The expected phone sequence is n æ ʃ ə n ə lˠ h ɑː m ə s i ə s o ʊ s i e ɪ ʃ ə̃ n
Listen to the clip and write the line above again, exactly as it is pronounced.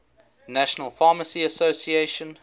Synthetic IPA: n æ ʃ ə n ə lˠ f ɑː m ə s i ə s o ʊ s i e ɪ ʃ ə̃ n